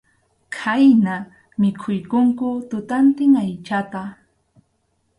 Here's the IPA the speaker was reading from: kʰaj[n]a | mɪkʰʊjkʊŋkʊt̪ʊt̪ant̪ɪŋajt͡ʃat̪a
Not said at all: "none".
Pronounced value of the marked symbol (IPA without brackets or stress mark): n